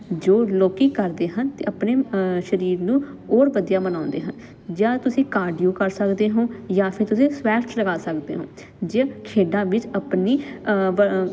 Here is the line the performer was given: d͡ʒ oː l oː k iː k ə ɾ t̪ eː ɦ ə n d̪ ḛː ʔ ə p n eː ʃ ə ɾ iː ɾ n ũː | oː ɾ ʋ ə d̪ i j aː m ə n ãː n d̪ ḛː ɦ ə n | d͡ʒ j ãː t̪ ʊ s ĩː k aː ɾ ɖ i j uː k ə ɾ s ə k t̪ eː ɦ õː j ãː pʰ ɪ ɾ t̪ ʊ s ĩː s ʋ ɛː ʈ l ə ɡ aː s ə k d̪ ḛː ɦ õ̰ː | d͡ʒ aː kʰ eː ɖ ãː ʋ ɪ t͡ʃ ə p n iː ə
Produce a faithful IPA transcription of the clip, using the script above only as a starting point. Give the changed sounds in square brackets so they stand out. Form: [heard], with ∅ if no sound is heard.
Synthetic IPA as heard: d͡ʒ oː l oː k iː k ə ɾ [d̪] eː ɦ ə n [t̪] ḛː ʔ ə p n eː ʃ ə ɾ iː ɾ n ũː | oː ɾ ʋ ə d̪ i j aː m ə n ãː n d̪ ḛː ɦ ə n | d͡ʒ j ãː t̪ ʊ s ĩː k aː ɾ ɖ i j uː k ə ɾ s ə k [d̪] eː ɦ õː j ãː pʰ ɪ ɾ t̪ ʊ s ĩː s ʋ ɛː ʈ l ə ɡ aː s ə k d̪ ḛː ɦ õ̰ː | d͡ʒ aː kʰ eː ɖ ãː ʋ ɪ t͡ʃ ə p n iː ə